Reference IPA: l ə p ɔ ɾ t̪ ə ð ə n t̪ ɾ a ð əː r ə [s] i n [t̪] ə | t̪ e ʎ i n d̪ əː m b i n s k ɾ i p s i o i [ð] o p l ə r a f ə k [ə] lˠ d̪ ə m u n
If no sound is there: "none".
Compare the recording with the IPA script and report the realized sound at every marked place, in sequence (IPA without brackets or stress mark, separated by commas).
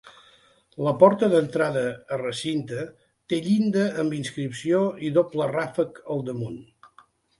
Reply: s, t̪, ð, ə